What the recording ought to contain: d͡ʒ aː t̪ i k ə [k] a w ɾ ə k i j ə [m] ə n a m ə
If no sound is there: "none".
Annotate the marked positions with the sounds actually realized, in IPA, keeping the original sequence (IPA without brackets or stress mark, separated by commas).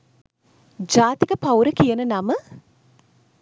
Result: p, n